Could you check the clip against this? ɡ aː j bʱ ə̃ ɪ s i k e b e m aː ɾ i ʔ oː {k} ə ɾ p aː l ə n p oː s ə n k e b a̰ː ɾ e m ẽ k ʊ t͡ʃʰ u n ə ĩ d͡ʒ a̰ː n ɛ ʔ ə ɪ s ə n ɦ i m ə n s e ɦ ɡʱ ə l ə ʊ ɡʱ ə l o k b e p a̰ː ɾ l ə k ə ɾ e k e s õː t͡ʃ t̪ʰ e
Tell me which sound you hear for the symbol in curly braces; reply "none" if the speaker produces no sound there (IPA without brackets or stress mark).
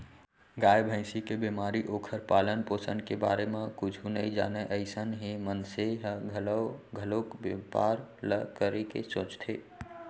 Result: kʰ